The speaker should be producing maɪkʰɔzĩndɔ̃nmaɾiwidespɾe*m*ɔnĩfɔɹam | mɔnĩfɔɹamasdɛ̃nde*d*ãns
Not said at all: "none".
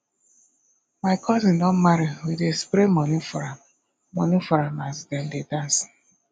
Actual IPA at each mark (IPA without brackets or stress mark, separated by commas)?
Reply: m, d